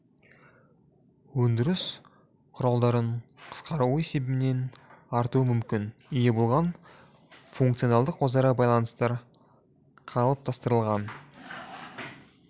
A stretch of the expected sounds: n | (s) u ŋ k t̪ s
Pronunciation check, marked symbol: incorrect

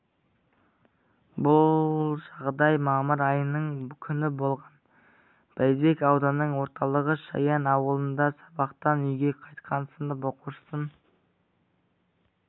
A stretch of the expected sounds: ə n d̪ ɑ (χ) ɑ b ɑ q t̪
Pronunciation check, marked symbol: incorrect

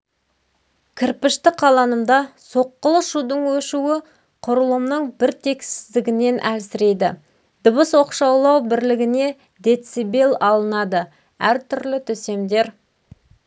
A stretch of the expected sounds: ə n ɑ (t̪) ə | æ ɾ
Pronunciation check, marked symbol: incorrect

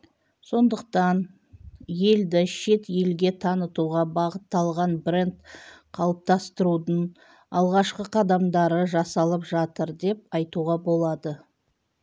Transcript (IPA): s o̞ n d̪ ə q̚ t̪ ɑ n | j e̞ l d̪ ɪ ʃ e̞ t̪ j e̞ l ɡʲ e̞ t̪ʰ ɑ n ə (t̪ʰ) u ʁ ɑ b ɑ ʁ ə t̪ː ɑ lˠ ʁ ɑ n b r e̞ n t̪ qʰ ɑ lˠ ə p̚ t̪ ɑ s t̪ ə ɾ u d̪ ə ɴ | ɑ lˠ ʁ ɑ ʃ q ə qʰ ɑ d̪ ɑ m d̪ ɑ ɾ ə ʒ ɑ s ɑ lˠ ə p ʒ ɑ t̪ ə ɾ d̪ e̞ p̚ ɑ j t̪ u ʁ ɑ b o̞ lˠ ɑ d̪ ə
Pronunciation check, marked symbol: incorrect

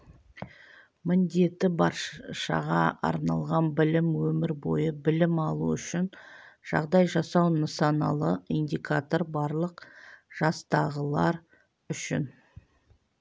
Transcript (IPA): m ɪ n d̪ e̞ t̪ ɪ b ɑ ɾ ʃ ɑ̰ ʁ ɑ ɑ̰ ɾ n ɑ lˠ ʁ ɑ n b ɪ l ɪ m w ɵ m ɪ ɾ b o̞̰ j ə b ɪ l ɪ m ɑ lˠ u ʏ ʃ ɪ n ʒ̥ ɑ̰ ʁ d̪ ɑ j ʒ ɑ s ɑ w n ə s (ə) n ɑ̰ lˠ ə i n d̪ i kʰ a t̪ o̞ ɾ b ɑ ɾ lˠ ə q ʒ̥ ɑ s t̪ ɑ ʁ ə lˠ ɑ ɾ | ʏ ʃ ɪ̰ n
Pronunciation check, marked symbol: incorrect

